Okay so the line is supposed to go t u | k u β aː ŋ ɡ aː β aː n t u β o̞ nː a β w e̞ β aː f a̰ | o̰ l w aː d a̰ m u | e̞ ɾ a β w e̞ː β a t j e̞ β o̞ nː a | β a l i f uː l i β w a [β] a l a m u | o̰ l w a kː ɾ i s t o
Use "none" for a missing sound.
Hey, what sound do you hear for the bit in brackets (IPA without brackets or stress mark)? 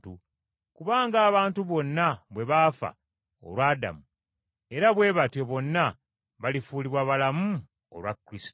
β